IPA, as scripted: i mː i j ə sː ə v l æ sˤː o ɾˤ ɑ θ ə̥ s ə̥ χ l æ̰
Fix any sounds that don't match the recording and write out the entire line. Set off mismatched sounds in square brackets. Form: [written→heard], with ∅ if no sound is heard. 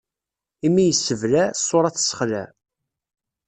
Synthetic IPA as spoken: i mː i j ə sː ə v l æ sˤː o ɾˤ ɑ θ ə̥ s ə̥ χ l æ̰